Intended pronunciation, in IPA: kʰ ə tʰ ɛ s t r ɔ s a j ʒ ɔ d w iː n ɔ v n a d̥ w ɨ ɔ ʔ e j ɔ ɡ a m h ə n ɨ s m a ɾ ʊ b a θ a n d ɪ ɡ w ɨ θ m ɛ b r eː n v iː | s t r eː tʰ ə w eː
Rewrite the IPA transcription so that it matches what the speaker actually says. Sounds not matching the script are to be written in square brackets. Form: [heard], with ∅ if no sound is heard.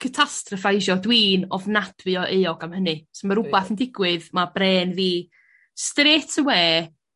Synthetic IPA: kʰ ə tʰ [a] s t r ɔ [f] a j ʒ ɔ d w iː n ɔ v n a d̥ w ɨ ɔ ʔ e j ɔ ɡ a m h ə n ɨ s m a ɾ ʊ b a θ [ə] n d ɪ ɡ w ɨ [ð] m [a] b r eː n v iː | s t r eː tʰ ə w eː